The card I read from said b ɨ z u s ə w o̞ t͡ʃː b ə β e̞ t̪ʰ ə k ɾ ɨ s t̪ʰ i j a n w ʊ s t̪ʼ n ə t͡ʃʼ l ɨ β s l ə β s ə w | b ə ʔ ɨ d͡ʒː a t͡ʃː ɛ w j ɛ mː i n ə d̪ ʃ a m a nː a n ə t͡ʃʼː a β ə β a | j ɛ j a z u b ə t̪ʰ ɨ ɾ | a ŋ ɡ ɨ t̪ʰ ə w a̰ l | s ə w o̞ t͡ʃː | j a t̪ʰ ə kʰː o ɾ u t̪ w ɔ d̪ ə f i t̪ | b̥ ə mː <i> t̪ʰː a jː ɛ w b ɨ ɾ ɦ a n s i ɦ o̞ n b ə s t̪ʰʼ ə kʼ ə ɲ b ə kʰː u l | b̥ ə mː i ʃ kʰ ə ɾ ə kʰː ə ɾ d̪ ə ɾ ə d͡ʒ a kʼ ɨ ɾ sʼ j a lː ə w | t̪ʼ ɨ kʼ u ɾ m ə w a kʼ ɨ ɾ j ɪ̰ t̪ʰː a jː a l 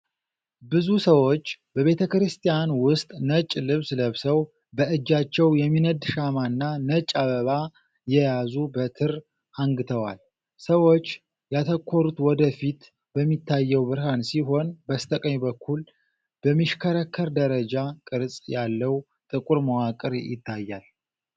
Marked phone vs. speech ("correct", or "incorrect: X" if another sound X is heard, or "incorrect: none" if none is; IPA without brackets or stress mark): correct